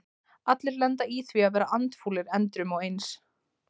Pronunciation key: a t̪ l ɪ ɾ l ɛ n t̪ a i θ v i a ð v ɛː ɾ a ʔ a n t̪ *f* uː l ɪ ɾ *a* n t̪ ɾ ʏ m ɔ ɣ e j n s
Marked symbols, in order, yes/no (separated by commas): yes, no